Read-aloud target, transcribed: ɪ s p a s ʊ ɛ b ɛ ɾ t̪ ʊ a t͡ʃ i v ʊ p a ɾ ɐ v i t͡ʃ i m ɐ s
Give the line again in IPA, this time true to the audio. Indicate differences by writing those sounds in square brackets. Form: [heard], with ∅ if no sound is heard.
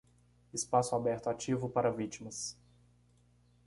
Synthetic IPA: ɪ s p a s ʊ [a] b ɛ ɾ t̪ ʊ a t͡ʃ i v ʊ p a ɾ ɐ v i t͡ʃ i m ɐ s